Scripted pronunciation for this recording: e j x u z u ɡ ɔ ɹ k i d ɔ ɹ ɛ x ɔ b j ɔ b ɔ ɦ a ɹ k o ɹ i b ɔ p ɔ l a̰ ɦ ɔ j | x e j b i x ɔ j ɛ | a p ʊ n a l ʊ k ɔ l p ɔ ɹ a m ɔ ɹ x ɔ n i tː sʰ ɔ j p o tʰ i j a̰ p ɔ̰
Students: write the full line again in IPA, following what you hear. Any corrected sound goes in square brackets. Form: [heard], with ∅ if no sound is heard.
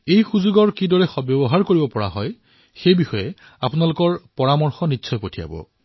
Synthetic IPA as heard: e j x u z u ɡ ɔ ɹ k i d ɔ ɹ ɛ x ɔ b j ɔ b ɔ ɦ a ɹ k o ɹ i b ɔ p ɔ [ɹ] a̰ ɦ ɔ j | x e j b i x ɔ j ɛ | a p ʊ n a l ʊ k ɔ [ɹ] p ɔ ɹ a m ɔ ɹ x ɔ n i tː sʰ ɔ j p o tʰ i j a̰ [b] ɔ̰